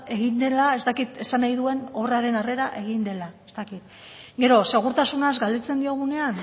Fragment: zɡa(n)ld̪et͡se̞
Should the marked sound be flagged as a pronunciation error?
yes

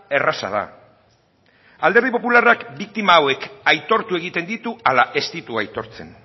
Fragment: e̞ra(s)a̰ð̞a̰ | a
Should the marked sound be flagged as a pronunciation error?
no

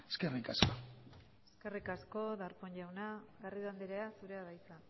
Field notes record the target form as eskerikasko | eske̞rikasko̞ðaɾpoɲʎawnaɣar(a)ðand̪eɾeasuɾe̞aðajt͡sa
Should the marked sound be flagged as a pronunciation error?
yes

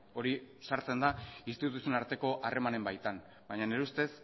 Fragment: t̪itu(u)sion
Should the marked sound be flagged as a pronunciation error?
no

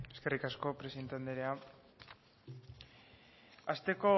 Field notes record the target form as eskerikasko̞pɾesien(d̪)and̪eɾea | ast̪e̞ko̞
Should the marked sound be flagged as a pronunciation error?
yes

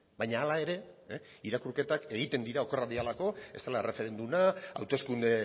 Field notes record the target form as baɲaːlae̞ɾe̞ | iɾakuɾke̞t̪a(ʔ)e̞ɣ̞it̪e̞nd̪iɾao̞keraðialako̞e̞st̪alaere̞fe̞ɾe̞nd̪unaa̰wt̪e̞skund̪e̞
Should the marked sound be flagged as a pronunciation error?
yes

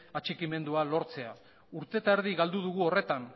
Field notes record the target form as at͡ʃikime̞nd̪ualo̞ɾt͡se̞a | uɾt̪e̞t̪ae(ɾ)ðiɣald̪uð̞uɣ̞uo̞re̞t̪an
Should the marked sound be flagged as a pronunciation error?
no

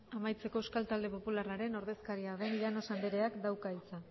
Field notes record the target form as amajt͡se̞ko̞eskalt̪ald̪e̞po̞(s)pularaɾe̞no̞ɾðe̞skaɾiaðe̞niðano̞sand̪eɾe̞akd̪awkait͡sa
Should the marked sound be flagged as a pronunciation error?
yes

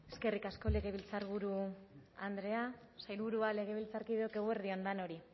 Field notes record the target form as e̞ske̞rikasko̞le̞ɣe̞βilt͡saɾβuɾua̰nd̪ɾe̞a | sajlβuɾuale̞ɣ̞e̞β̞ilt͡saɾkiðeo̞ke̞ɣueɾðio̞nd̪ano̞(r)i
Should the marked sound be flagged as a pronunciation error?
yes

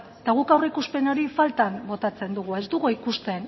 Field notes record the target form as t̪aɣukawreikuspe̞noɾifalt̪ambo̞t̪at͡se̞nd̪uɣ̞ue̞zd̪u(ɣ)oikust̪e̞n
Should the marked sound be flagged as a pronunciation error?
no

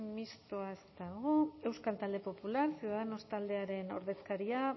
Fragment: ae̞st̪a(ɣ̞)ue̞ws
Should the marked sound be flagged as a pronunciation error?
no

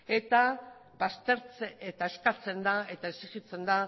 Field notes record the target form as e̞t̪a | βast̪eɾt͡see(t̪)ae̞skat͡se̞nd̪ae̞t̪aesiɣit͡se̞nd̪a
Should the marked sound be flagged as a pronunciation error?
no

